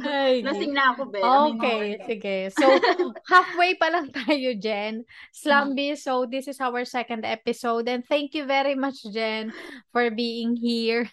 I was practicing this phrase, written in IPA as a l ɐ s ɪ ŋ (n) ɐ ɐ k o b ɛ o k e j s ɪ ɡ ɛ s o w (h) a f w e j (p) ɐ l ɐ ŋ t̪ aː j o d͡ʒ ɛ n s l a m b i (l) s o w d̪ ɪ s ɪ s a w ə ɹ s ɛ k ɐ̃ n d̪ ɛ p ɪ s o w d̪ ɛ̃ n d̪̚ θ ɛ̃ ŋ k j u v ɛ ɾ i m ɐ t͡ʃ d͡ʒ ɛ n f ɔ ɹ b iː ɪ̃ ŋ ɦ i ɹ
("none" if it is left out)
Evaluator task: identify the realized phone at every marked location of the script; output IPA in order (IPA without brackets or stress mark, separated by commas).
n, h, p, none